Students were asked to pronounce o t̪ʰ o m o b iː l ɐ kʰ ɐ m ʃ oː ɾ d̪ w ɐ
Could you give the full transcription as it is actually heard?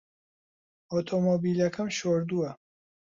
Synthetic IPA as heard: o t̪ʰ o m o b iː l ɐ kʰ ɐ m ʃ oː ɾ d̪ u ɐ